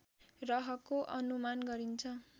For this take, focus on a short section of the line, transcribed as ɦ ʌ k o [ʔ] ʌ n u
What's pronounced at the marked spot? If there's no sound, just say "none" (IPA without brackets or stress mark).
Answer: ʔ